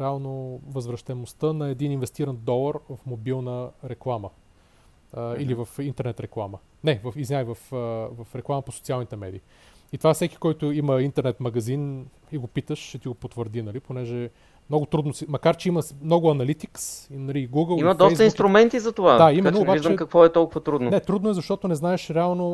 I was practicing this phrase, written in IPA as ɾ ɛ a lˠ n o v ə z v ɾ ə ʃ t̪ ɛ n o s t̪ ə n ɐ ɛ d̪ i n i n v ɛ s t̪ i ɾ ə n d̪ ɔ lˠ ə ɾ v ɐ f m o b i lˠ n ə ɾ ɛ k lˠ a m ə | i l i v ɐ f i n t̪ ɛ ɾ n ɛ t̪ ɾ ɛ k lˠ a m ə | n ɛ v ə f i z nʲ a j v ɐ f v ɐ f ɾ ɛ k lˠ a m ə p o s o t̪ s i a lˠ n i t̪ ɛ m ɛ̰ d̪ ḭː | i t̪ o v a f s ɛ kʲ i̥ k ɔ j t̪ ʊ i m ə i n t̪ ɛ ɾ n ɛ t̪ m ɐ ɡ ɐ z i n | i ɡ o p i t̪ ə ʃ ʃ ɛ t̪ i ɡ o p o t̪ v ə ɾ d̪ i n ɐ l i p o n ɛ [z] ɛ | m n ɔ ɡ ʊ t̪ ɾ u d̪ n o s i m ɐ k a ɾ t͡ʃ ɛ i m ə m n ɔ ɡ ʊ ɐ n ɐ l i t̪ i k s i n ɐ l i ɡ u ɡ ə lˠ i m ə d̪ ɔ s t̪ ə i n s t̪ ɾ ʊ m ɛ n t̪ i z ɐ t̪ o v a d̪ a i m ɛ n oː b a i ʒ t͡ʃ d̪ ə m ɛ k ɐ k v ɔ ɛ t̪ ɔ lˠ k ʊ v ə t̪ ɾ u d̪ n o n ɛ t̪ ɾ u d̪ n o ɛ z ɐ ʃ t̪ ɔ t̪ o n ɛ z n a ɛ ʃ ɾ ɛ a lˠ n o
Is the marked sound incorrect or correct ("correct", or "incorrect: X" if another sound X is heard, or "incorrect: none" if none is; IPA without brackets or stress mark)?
incorrect: ʒ